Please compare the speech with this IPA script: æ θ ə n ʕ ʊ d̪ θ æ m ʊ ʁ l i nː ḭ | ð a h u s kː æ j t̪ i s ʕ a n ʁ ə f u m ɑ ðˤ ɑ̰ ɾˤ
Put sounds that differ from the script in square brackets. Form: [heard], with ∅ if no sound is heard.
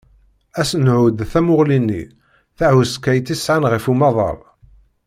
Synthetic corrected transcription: æ [s] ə n ʕ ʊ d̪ θ æ m ʊ ʁ l i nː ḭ | [θ] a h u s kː æ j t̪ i s ʕ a n ʁ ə f u m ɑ ðˤ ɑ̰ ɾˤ